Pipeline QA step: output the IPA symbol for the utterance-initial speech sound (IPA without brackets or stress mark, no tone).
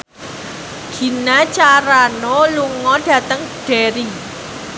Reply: ɡ̥